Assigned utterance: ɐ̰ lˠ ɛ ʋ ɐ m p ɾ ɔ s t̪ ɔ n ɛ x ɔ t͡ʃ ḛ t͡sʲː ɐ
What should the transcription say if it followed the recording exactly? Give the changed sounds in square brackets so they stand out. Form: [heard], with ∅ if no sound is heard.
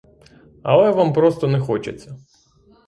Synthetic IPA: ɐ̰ lˠ ɛ ʋ [a] m p ɾ ɔ s t̪ ɔ n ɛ x ɔ t͡ʃ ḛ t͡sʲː ɐ